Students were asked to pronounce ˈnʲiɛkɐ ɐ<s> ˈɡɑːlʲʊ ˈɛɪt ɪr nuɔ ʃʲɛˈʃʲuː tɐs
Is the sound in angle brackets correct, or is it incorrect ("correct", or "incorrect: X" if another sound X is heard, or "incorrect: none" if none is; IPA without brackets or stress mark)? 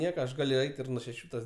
incorrect: ʃ